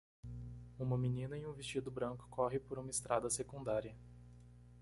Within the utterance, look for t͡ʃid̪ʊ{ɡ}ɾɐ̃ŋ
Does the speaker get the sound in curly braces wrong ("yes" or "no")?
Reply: yes